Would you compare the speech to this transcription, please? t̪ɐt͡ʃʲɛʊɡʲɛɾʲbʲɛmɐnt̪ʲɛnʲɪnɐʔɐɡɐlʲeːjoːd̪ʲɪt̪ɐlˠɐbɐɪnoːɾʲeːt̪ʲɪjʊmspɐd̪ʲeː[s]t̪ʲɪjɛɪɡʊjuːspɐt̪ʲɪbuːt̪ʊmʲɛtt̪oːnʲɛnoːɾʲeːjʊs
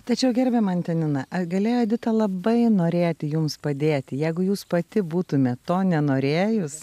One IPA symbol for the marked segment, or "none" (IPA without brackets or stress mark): none